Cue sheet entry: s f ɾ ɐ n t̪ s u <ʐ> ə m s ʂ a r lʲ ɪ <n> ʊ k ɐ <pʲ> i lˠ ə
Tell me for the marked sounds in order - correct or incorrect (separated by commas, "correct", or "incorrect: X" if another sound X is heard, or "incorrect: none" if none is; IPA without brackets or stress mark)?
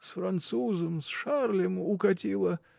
incorrect: z, incorrect: m, incorrect: tʲ